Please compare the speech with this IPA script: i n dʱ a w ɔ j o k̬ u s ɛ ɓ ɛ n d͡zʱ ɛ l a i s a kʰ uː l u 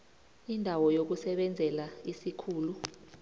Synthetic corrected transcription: i n dʱ a w ɔ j o k̬ u s ɛ ɓ ɛ n d͡zʱ ɛ l a i s i kʰ uː l u